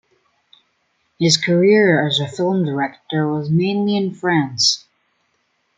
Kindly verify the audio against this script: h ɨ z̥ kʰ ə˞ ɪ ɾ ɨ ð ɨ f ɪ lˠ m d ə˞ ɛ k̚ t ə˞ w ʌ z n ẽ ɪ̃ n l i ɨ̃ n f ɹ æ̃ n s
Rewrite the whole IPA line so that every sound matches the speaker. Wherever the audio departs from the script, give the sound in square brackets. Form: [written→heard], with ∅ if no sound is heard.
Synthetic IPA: h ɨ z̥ kʰ ə˞ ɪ [ɾ→ɹ] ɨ [ð→z] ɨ f ɪ lˠ m d ə˞ ɛ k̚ t ə˞ w ʌ z [n→m] ẽ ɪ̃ n l i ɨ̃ n f ɹ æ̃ n s